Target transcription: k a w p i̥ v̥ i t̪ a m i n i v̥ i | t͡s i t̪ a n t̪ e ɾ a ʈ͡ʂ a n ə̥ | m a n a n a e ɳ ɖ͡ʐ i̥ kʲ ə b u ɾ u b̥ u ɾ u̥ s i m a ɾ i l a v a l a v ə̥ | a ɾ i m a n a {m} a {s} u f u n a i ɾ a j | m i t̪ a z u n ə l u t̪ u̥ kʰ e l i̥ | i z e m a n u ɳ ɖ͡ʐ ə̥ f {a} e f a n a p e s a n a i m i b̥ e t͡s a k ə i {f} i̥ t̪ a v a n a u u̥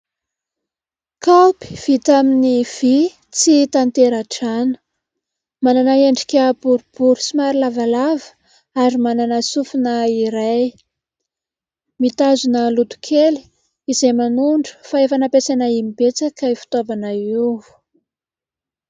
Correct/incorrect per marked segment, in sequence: incorrect: n, correct, correct, correct

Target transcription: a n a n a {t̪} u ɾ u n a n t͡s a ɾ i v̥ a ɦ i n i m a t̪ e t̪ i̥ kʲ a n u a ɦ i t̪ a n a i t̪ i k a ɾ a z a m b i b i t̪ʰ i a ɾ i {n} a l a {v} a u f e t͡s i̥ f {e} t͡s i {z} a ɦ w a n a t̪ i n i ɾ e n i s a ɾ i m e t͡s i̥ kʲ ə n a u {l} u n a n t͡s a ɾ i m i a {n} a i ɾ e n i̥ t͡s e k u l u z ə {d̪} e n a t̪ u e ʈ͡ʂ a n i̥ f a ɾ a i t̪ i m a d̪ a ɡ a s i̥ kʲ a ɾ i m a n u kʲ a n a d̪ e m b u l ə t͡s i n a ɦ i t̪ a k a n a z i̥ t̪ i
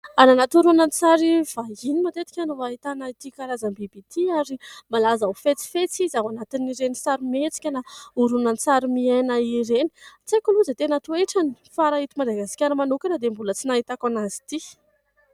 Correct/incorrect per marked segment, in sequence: correct, incorrect: m, incorrect: z, correct, correct, incorrect: ɾ, correct, incorrect: t̪

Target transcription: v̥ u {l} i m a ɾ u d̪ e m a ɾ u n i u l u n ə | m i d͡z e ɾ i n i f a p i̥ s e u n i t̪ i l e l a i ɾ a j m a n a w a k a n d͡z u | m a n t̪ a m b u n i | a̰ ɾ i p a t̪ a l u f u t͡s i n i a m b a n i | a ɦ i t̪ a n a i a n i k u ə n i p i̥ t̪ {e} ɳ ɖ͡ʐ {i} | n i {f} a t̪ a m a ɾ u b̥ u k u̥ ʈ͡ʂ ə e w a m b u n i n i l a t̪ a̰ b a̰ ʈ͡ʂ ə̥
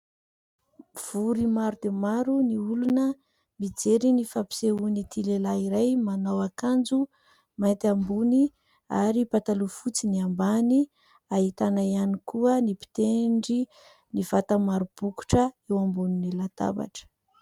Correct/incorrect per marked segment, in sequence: incorrect: ɾ, correct, correct, incorrect: v

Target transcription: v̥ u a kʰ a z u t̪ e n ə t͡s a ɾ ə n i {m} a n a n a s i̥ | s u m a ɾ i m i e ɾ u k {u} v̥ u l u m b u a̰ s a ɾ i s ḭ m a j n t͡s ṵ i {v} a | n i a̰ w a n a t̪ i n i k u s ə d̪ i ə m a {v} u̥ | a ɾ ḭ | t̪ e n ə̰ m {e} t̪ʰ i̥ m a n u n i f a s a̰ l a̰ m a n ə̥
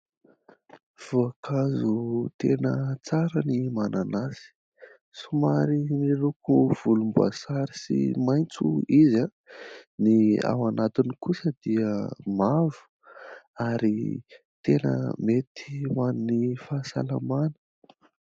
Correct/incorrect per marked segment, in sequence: correct, correct, incorrect: z, correct, correct

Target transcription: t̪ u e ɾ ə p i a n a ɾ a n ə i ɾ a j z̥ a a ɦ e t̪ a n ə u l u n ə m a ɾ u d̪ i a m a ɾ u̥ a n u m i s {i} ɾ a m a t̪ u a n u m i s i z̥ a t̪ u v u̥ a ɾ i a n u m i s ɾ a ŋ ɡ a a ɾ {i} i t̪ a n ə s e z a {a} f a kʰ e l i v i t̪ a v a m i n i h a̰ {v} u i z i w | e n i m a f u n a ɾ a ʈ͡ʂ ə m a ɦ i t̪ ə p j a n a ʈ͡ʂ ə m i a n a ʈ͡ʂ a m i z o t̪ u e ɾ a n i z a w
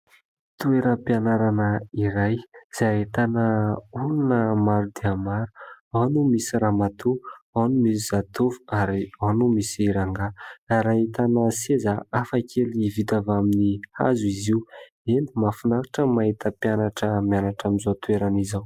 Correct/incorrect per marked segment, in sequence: correct, incorrect: a, correct, incorrect: z

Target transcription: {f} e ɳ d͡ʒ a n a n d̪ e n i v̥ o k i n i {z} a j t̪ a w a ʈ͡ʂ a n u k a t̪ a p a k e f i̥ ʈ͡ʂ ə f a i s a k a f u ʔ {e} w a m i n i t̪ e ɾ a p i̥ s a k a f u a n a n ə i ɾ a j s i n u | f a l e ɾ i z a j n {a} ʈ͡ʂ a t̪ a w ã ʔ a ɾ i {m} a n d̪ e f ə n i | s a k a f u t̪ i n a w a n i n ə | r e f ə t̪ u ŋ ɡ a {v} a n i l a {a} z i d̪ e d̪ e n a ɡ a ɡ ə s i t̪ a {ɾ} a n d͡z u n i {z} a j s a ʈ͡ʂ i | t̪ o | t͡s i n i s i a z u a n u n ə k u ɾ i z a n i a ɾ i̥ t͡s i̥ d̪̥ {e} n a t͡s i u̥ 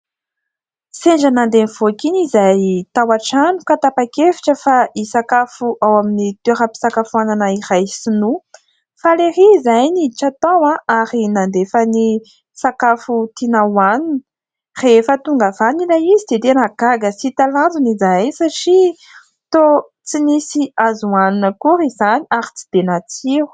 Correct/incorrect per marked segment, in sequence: incorrect: s, correct, incorrect: a, incorrect: i, incorrect: n, correct, incorrect: i, incorrect: l, correct, correct

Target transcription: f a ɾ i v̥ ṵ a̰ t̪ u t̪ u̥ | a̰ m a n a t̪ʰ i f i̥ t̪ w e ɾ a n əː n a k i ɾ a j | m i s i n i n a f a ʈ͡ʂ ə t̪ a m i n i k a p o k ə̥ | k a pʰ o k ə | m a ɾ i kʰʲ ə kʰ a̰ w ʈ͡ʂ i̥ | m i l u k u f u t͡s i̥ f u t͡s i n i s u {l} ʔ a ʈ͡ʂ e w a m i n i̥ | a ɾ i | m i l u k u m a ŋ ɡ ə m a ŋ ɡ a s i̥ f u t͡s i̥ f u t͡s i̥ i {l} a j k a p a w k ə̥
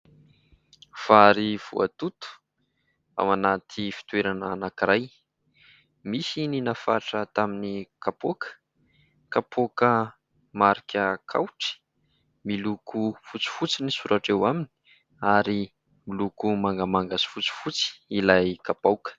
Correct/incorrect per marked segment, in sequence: incorrect: ɾ, correct

